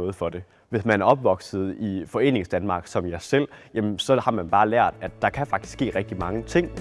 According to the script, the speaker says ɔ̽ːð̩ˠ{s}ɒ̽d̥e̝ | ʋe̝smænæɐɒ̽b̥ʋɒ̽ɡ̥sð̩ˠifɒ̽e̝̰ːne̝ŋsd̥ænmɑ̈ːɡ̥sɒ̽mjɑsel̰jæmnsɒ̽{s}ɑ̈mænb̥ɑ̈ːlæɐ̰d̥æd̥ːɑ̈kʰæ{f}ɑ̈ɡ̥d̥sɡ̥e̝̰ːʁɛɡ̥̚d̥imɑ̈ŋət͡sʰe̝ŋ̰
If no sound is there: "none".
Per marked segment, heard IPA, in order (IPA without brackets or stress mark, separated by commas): f, h, f